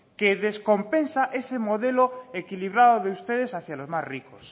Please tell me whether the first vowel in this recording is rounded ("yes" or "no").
no